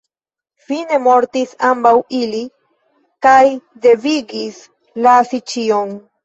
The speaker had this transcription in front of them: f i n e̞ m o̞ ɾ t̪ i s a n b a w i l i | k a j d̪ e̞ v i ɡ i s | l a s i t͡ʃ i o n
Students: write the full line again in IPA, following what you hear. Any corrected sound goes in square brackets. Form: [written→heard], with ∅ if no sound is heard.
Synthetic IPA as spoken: f i n e̞ m o̞ ɾ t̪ i s a [n→m] b a w i l i | k a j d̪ e̞ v i ɡ i s | l a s i t͡ʃ i o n